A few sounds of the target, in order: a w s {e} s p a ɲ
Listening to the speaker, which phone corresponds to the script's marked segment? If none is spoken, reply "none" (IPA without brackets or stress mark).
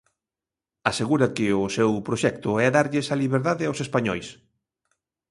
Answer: e